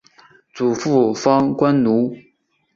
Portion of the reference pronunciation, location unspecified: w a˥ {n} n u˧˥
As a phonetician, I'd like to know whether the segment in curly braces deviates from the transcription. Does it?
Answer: no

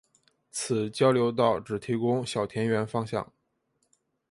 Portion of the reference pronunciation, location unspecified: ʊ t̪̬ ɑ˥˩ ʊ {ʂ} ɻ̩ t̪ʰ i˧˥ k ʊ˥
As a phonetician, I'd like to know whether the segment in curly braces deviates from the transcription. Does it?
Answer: yes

